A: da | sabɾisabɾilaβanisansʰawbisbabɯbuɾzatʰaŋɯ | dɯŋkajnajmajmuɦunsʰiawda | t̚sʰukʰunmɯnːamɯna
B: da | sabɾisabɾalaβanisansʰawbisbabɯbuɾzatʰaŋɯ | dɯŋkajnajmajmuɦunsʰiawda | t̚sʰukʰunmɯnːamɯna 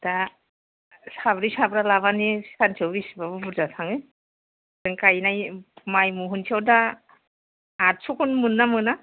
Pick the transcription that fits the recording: B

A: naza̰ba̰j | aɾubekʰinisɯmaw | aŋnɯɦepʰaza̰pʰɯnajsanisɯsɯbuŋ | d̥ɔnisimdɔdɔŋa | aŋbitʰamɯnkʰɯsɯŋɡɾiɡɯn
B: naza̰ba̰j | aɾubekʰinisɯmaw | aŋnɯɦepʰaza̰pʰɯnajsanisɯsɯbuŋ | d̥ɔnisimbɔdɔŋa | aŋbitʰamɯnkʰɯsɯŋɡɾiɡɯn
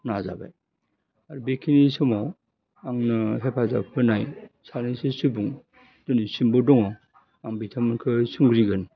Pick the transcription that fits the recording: B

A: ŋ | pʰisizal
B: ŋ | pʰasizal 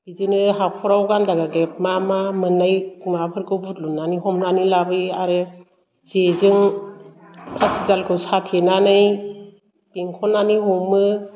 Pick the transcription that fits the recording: B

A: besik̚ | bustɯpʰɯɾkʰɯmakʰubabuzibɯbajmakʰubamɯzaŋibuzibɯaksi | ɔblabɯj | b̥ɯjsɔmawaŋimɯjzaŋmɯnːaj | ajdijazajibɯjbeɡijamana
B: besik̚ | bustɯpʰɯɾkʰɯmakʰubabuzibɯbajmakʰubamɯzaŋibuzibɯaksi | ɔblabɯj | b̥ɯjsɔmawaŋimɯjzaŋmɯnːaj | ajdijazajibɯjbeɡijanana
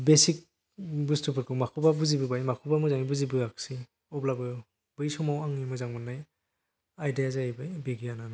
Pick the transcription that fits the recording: B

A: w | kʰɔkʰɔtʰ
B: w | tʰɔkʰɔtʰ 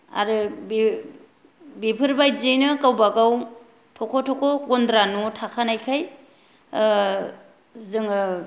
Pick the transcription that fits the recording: B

